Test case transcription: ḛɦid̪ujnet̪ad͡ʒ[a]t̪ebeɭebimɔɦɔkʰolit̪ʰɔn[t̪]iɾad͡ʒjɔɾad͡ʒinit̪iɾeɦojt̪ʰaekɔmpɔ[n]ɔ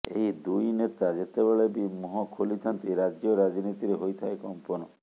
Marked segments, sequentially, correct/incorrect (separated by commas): incorrect, correct, correct